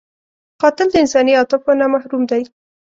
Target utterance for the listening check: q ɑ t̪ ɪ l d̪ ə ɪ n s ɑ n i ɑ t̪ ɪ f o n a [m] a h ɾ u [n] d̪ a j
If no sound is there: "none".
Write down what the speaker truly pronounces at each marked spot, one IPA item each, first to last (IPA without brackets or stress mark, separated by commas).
m, m